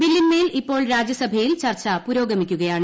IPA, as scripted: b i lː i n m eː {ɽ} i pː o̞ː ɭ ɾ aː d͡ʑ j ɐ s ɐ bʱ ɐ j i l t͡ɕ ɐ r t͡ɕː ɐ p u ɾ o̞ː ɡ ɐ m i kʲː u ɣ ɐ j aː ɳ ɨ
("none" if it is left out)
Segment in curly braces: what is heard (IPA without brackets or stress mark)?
l